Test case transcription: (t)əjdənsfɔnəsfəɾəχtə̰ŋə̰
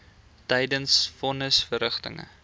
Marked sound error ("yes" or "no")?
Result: no